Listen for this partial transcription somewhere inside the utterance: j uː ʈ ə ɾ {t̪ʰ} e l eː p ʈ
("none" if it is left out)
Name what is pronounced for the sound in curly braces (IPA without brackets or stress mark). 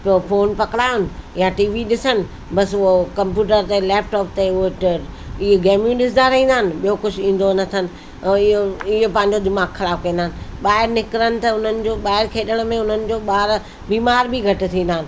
t̪